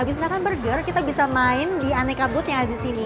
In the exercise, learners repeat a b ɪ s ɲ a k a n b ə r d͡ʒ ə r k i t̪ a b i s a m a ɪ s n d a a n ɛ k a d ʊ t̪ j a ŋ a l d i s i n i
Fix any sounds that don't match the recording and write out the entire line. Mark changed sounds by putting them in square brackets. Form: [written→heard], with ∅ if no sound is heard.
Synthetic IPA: a b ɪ s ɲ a k a n b ə r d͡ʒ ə r k i t̪ a b i s a m a ɪ [s→∅] n d [a→i] a n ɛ k a [d→b] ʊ t̪ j a ŋ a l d i s i n i